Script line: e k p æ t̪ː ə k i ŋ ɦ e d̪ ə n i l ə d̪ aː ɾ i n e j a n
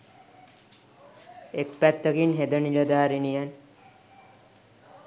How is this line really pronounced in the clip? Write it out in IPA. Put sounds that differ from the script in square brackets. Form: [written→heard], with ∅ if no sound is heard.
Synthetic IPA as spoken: e k p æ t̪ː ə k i [ŋ→n] ɦ e d̪ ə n i l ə d̪ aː ɾ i n [e→i] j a n